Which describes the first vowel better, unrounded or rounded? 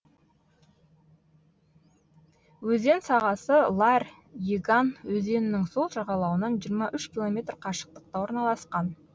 rounded